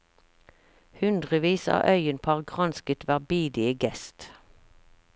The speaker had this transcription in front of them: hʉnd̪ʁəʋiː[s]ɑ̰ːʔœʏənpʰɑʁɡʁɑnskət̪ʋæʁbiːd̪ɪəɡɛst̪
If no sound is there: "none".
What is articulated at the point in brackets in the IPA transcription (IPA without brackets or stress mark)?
s